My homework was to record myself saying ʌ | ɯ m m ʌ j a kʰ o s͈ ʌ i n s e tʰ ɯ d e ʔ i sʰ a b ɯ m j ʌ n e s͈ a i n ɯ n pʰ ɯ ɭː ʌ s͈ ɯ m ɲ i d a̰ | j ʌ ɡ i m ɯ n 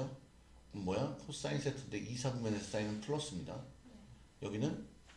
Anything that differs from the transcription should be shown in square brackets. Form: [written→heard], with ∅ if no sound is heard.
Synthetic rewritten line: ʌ | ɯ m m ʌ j a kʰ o s͈ [ʌ→a] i n s e tʰ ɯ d e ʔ i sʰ a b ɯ m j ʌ n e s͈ a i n ɯ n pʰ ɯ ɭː ʌ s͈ ɯ m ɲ i d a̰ | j ʌ ɡ i [m→n] ɯ n